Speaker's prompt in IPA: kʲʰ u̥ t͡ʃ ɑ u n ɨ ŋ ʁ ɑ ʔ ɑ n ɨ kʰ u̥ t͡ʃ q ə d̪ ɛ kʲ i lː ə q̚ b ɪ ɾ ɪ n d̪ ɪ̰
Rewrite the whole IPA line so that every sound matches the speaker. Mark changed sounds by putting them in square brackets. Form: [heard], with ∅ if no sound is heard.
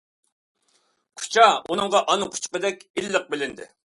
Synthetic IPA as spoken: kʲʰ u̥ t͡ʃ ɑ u n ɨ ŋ ʁ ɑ ʔ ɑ n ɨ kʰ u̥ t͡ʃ q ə d̪ ɛ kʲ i lː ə q̚ b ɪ [l] ɪ n d̪ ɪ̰